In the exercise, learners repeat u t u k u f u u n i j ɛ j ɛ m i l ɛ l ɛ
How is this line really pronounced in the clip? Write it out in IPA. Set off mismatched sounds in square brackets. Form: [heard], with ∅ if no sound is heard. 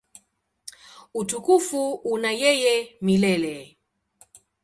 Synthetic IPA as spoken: u t u k u f u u n [a] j ɛ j ɛ m i l ɛ l ɛ